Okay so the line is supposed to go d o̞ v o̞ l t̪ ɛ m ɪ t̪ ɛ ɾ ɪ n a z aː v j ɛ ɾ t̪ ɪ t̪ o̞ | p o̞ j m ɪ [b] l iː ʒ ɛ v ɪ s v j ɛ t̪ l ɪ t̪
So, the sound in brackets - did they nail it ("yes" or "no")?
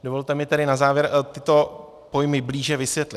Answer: yes